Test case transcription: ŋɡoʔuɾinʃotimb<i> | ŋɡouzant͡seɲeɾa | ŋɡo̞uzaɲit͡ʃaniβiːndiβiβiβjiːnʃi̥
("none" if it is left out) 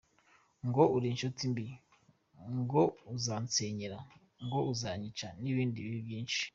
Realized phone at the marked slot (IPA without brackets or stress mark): i